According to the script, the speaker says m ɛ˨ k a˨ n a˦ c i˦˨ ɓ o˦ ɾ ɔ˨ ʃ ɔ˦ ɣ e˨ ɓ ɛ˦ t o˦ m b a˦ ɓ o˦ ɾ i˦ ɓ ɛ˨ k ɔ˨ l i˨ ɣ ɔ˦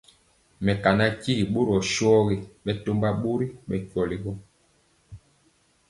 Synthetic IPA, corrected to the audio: m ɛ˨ k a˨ n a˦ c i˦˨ ɓ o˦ ɾ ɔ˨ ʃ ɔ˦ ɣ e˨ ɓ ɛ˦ t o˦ m b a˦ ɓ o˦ ɾ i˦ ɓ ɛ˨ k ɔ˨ l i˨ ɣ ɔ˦